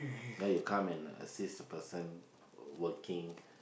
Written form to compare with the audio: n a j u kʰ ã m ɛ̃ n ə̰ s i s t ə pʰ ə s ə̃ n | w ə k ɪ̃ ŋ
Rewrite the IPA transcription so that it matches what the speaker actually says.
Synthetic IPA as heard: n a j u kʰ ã m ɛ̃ n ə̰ s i s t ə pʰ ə s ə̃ n | w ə k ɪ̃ ŋ